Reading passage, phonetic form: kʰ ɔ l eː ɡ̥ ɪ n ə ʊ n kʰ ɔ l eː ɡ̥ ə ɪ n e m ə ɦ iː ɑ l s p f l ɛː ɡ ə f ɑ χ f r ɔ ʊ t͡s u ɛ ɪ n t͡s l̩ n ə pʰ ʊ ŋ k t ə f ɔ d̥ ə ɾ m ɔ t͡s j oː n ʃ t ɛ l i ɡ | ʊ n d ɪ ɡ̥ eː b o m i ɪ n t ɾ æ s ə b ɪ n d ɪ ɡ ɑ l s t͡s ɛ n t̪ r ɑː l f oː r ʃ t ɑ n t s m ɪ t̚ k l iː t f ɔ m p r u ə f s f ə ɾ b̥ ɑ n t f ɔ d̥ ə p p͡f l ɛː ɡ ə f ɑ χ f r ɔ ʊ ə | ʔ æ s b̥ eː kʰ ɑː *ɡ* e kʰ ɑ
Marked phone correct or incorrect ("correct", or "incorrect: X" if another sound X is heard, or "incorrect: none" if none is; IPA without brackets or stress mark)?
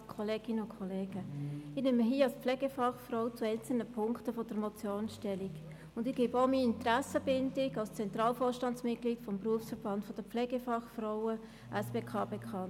incorrect: b